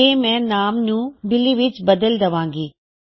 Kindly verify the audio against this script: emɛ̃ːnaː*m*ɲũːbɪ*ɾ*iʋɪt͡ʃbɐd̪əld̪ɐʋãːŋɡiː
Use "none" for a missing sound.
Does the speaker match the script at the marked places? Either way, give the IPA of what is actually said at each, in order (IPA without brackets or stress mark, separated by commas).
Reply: m, l